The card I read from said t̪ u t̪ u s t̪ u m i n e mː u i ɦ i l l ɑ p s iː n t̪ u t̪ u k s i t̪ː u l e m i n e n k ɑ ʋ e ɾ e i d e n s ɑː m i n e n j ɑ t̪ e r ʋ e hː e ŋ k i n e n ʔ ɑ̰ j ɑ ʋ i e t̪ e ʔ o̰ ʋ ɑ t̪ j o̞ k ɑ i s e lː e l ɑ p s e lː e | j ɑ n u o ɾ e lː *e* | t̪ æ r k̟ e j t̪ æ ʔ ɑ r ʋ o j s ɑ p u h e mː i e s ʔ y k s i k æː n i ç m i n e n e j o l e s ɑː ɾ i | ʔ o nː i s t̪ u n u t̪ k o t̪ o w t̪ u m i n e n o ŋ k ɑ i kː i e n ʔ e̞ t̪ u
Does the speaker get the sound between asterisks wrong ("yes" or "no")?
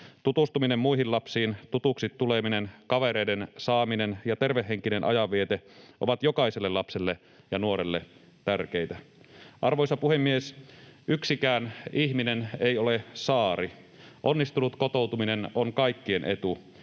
no